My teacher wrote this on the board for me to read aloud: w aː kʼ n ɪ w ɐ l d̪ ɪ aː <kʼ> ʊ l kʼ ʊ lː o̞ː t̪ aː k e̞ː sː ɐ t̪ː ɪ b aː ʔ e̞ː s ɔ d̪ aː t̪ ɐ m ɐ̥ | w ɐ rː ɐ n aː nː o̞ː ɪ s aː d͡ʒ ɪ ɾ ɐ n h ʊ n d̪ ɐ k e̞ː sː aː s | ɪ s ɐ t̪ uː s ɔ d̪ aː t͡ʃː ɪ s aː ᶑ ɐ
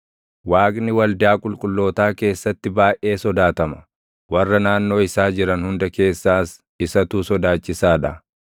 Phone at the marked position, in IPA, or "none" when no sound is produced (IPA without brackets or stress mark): kʼ